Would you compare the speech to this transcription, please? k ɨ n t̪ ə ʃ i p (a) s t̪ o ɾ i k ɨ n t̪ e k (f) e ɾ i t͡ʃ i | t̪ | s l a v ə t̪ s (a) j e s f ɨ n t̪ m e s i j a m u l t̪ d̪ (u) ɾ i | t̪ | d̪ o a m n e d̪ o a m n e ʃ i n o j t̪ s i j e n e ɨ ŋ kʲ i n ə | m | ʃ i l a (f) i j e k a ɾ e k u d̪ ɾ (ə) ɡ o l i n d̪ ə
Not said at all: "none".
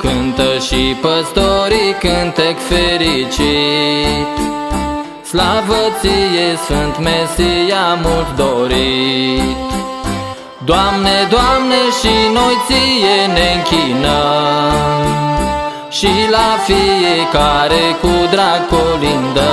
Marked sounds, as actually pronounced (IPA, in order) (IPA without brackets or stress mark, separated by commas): ə, f, i, o, f, a